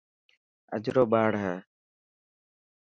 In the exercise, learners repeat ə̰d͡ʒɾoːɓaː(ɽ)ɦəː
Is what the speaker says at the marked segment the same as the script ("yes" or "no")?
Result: yes